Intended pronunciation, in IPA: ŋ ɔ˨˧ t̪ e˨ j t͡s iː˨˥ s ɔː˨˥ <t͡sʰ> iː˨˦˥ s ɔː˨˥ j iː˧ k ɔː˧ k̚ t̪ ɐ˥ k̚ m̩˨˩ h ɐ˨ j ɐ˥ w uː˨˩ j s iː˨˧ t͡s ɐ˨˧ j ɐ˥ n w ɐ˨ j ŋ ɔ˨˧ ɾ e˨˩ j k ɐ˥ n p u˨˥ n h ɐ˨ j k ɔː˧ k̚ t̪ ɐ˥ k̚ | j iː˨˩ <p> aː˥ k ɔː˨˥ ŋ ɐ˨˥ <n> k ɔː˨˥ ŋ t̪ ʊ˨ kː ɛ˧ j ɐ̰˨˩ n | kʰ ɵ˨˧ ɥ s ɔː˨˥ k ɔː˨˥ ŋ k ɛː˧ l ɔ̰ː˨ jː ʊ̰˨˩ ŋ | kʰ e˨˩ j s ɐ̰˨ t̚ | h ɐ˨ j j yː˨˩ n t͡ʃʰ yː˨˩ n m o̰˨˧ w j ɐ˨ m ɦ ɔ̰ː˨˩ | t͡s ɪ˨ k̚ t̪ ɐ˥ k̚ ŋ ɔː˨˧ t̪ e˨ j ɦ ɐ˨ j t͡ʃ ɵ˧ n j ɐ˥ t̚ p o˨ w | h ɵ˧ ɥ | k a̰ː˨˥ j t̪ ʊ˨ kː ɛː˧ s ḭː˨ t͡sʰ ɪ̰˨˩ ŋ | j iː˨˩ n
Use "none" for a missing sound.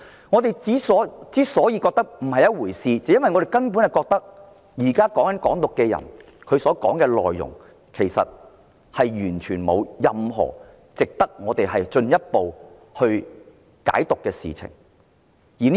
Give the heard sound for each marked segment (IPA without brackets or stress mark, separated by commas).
t͡s, k, n